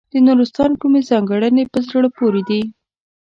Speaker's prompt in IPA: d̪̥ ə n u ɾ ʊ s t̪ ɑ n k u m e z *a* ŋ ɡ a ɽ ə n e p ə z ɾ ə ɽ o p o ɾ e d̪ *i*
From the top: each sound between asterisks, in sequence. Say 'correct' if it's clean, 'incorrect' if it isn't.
incorrect: ɑ, correct

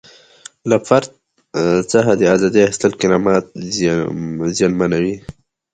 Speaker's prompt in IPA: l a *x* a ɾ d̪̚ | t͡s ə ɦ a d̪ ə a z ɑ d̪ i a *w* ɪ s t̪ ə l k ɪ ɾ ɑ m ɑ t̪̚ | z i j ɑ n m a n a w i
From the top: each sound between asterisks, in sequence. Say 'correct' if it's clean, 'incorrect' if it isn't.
incorrect: f, incorrect: none

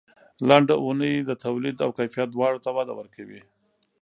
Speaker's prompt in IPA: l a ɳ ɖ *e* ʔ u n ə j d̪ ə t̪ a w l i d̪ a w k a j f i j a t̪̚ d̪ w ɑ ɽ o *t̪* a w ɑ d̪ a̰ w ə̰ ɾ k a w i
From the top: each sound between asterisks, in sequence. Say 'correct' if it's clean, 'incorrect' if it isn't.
incorrect: a, correct

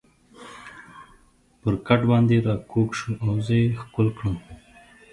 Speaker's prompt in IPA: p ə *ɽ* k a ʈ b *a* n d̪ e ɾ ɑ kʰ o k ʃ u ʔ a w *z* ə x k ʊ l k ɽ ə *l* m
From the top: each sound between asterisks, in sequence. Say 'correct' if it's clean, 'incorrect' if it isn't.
incorrect: ɾ, incorrect: ɑ, correct, incorrect: none

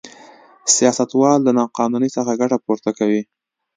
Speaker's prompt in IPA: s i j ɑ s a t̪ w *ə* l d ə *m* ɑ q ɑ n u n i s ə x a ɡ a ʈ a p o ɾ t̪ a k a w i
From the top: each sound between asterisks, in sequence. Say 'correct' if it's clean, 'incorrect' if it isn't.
incorrect: ɑ, incorrect: n

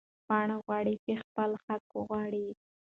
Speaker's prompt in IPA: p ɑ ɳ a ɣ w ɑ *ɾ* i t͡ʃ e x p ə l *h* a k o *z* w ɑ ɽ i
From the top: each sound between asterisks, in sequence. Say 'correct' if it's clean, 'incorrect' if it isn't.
incorrect: ɽ, incorrect: x, incorrect: ɣ

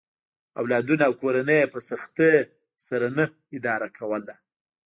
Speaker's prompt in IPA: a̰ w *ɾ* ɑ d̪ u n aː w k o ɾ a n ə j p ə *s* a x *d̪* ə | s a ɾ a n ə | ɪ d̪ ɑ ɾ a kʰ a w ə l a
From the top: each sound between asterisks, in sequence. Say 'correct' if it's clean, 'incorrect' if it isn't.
incorrect: l, correct, incorrect: t̪

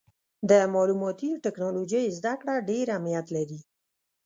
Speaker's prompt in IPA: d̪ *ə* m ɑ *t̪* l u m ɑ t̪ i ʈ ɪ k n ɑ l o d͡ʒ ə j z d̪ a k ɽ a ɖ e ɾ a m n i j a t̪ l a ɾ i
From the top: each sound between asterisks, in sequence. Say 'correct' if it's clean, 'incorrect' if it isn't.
correct, incorrect: none

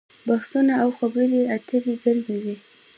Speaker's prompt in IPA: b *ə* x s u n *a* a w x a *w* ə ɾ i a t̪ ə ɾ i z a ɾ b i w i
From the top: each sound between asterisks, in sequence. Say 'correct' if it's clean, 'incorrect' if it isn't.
incorrect: a, correct, incorrect: b

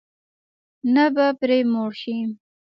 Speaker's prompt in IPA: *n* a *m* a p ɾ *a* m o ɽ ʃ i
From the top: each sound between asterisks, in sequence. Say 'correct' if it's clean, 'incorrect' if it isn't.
correct, incorrect: b, incorrect: e

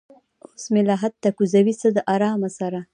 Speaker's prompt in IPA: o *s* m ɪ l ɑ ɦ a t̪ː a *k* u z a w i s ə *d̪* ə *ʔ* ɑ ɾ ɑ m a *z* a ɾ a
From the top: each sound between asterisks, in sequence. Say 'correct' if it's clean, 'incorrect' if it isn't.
correct, correct, correct, correct, incorrect: s

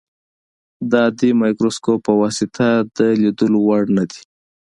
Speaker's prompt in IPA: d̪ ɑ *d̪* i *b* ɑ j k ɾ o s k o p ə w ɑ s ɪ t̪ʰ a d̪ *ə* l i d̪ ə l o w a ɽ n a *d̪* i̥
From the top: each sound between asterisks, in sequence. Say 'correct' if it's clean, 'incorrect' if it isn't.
correct, incorrect: m, correct, correct

